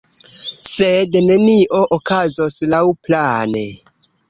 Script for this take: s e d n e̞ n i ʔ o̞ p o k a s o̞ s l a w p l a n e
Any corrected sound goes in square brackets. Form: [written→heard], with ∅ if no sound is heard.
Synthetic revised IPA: s e d n e̞ n i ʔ o̞ [p→ʔ] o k a [s→z] o̞ s l a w p l a n e